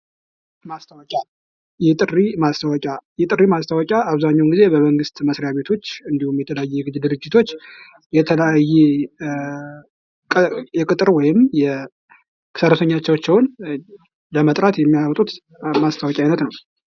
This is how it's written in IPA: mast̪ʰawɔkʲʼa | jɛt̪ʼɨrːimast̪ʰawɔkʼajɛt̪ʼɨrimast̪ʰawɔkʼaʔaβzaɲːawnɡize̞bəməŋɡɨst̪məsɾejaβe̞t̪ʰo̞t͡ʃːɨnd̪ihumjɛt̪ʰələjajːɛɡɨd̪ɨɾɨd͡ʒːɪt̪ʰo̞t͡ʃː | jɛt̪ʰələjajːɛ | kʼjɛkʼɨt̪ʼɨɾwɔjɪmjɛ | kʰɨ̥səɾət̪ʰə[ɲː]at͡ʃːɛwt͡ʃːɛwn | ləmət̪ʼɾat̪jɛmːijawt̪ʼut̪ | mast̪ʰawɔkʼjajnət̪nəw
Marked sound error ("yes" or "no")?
no